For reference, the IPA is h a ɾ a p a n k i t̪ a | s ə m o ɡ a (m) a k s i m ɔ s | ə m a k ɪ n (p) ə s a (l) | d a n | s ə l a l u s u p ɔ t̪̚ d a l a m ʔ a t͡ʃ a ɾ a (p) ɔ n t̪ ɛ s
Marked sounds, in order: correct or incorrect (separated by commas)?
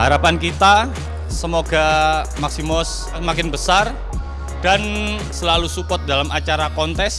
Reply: correct, incorrect, incorrect, incorrect